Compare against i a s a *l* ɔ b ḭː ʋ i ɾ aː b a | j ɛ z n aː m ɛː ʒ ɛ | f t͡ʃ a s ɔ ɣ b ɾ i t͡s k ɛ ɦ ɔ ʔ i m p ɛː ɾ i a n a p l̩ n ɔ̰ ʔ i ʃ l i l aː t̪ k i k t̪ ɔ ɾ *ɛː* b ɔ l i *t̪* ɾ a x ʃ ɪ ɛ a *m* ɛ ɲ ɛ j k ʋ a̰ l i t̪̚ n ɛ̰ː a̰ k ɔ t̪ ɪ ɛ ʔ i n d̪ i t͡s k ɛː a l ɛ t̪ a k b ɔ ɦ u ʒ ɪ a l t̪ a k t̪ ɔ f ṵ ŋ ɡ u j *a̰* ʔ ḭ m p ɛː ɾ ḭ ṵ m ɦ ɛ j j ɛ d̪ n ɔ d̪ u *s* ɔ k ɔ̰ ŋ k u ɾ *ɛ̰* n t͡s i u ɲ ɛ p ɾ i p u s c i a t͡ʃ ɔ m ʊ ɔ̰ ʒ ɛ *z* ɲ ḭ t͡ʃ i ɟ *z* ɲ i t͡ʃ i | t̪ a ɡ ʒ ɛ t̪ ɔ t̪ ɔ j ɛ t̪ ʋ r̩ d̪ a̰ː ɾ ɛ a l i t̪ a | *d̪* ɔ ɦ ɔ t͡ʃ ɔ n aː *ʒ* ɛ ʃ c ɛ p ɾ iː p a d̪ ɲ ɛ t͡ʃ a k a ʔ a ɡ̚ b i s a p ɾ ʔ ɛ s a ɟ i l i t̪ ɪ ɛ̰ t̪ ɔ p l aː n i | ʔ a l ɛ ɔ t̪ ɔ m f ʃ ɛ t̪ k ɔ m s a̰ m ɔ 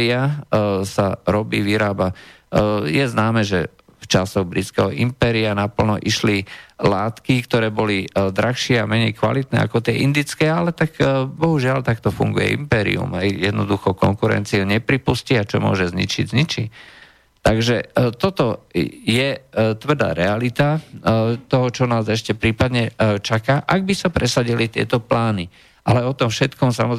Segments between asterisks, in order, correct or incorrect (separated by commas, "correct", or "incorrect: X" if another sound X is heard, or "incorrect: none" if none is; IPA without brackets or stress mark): incorrect: ɾ, correct, incorrect: d̪, correct, incorrect: ɛ̰, incorrect: x, correct, correct, correct, incorrect: t̪, incorrect: z